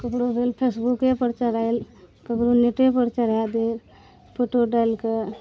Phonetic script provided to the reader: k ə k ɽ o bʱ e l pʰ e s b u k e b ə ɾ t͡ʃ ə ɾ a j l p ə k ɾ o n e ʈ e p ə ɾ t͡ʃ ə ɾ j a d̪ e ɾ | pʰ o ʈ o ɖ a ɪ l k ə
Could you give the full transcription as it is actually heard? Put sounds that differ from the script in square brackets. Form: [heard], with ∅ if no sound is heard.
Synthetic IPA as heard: k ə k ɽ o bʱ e l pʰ e s b u k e [p] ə ɾ t͡ʃ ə ɾ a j l [k] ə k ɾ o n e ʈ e p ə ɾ t͡ʃ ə ɾ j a d̪ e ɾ | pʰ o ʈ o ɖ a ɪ l k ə